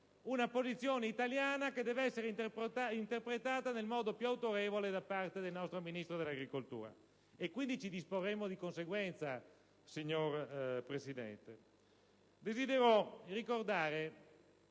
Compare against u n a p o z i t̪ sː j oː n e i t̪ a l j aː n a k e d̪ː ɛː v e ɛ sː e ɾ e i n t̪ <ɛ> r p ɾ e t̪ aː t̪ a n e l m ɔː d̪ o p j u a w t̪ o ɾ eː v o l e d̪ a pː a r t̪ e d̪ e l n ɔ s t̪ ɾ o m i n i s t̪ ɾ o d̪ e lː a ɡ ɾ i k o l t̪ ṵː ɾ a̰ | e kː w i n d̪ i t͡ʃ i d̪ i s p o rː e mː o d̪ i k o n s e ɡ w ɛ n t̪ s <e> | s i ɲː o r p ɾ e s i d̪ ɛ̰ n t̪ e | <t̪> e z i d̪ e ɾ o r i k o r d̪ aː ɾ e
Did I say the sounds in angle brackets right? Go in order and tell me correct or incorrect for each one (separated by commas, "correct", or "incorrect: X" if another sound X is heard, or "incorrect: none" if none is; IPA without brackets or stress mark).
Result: incorrect: e, incorrect: a, incorrect: d̪